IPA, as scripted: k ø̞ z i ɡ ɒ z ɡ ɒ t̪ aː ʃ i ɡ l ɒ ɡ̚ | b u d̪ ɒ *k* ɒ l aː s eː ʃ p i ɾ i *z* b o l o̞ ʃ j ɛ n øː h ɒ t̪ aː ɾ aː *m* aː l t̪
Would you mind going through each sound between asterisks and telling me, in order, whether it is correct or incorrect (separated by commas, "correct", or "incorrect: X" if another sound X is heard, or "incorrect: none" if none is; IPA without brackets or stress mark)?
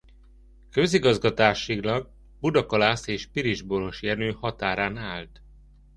correct, incorrect: ʒ, incorrect: n